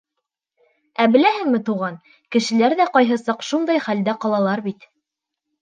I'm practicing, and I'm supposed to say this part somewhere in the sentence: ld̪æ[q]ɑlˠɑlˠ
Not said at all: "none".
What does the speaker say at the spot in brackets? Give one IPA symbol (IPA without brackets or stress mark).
q